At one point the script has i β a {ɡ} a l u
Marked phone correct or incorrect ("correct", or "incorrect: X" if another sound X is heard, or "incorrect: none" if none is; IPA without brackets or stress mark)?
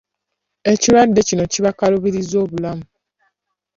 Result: incorrect: k